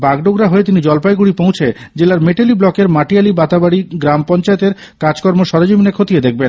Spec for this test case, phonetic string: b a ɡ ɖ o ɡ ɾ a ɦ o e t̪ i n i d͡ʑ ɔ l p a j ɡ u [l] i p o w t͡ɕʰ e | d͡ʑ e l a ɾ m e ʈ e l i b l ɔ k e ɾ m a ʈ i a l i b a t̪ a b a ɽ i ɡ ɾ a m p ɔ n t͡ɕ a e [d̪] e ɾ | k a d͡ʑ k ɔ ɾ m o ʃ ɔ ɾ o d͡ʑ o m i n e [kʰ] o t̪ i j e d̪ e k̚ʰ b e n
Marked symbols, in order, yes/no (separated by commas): no, no, yes